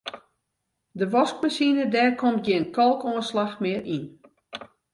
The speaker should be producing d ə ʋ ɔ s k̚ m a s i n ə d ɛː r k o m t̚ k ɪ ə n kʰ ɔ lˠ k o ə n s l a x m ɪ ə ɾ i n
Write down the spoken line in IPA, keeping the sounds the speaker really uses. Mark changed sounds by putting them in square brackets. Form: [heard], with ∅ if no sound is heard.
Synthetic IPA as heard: d ə ʋ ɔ s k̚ m a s i n ə d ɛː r k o m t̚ [ɡ] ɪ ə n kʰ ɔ lˠ k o ə n s l a x m ɪ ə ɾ i n